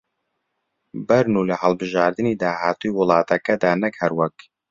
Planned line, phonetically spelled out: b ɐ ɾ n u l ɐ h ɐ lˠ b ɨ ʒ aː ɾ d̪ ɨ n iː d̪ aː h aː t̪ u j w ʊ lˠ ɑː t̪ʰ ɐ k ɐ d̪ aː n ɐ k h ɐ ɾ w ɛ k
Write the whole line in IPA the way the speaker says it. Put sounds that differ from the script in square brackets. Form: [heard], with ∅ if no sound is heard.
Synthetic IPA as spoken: b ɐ ɾ n u l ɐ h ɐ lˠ b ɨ ʒ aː ɾ d̪ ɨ n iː d̪ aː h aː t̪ u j w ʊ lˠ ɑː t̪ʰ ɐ k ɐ d̪ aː n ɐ k h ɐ ɾ w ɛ k